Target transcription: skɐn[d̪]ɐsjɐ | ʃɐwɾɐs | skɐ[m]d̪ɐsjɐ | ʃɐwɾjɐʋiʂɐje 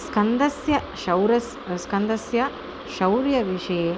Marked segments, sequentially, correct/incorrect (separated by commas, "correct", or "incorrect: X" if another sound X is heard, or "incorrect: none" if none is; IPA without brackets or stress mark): correct, incorrect: n